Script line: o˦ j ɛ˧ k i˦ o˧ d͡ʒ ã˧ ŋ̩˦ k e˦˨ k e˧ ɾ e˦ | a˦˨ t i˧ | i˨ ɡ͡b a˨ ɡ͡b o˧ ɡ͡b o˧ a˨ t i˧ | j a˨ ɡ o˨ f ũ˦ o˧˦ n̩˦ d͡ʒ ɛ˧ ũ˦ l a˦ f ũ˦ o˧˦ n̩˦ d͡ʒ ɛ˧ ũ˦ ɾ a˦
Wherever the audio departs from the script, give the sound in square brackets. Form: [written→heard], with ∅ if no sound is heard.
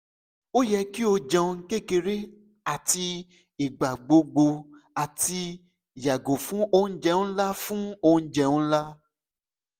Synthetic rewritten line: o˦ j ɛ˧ k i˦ o˧ d͡ʒ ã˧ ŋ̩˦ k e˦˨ k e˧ ɾ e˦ | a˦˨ t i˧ | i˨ ɡ͡b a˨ ɡ͡b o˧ ɡ͡b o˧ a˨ t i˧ | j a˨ ɡ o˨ f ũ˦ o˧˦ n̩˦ d͡ʒ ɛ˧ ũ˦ l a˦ f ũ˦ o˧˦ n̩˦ d͡ʒ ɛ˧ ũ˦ [ɾ→l] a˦